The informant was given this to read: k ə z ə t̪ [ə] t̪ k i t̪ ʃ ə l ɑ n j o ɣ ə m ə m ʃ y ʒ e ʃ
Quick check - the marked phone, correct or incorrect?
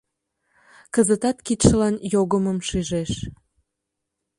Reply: incorrect